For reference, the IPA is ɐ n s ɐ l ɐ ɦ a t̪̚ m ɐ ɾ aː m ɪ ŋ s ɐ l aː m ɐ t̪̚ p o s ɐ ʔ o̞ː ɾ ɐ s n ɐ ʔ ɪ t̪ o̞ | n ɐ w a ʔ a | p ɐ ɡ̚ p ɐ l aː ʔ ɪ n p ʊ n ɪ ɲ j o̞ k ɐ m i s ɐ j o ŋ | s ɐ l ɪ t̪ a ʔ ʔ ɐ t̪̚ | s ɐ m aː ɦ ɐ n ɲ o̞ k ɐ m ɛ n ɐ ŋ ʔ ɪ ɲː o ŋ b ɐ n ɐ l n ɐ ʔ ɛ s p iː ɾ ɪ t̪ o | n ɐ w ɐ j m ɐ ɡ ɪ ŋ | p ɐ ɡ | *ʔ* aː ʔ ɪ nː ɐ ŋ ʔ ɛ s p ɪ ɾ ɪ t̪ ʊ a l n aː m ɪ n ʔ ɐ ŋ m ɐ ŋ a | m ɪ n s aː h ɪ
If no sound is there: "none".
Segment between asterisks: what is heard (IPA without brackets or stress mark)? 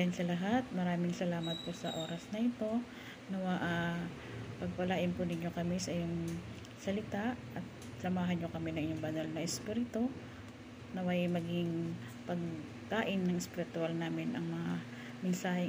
k